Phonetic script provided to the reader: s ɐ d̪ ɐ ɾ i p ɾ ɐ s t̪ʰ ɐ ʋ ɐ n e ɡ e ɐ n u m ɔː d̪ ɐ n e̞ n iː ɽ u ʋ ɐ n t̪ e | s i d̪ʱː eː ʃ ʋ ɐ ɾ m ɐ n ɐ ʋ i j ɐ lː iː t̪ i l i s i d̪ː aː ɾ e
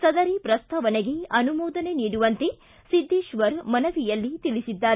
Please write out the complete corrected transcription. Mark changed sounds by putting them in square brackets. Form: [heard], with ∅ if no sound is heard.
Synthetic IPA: s ɐ d̪ ɐ ɾ i p ɾ ɐ s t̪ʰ ɐ ʋ ɐ n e ɡ e ɐ n u m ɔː d̪ ɐ n e̞ n iː ɽ u ʋ ɐ n t̪ e | s i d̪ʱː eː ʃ ʋ ɐ ɾ m ɐ n ɐ ʋ i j ɐ lː [i] t̪ i l i s i d̪ː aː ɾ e

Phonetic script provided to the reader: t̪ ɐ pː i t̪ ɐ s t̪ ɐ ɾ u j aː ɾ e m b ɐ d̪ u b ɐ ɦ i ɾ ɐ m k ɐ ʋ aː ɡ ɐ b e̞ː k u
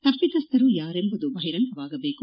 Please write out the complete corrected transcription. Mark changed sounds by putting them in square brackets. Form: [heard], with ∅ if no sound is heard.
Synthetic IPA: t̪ ɐ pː i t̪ ɐ s t̪ ɐ ɾ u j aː ɾ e m b ɐ d̪ u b ɐ ɦ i ɾ ɐ [ŋ] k ɐ ʋ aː ɡ ɐ b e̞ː k u

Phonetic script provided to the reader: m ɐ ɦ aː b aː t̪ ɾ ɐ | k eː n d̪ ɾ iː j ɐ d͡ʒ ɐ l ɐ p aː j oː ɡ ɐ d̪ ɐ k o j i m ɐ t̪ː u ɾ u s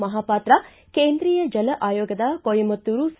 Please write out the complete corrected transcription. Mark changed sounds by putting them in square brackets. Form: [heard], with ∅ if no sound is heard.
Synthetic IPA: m ɐ ɦ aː [p] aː t̪ ɾ ɐ | k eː n d̪ ɾ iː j ɐ d͡ʒ ɐ l ɐ [ʔ] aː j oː ɡ ɐ d̪ ɐ k o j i m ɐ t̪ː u ɾ u s

